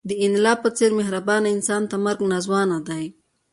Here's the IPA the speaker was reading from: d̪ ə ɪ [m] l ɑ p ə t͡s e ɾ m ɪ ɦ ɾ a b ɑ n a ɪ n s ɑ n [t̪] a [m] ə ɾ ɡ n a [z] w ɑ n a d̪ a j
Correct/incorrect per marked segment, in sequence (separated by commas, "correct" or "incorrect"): incorrect, correct, correct, correct